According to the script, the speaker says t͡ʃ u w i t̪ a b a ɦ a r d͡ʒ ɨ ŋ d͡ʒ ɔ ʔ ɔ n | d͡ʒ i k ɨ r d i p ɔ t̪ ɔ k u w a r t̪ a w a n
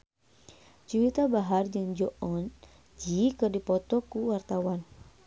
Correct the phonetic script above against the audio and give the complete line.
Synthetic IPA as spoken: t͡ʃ u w i t̪ a b a ɦ a r d͡ʒ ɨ ŋ d͡ʒ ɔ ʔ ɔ n | d͡ʒ i k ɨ r d i p ɔ t̪ ɔ k u w a r t̪ a w a n